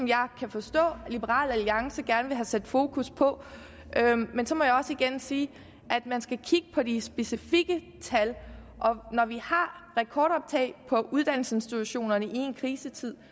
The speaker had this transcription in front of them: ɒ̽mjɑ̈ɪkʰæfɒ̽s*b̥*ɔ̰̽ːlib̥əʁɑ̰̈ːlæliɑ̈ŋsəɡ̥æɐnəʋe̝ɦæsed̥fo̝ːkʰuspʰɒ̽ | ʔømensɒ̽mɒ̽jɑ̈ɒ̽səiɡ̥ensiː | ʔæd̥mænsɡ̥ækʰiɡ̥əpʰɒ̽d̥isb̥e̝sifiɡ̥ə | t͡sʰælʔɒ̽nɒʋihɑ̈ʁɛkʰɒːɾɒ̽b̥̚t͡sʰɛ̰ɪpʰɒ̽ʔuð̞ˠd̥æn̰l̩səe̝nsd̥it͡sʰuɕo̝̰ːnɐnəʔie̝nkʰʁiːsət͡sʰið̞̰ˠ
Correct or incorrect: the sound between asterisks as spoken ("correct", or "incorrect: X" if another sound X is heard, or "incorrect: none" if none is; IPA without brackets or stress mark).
incorrect: d̥